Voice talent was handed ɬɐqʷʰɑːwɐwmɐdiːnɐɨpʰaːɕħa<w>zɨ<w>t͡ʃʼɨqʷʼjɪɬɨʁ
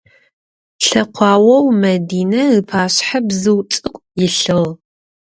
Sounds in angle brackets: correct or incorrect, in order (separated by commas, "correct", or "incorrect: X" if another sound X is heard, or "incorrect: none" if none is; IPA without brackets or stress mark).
incorrect: b, correct